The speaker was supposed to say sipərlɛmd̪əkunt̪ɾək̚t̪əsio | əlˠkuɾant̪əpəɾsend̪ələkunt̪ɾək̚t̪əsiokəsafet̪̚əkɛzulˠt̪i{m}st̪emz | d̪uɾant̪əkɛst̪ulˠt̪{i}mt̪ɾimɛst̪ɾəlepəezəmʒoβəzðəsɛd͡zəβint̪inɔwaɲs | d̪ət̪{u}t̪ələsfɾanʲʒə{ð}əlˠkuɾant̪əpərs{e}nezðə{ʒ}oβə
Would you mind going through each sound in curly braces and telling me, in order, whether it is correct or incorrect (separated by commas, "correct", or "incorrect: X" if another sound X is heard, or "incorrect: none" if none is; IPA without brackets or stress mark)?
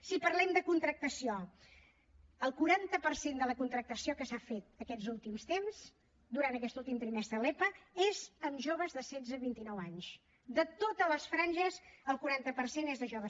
correct, correct, incorrect: o, incorrect: z, correct, correct